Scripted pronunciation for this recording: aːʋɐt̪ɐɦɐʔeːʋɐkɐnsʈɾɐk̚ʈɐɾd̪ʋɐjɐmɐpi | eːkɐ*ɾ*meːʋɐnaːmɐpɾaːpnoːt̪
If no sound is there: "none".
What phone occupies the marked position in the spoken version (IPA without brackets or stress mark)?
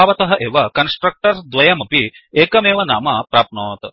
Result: none